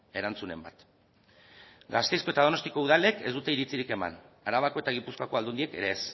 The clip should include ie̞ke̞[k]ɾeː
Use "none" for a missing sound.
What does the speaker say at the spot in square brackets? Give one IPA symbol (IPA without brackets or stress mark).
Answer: none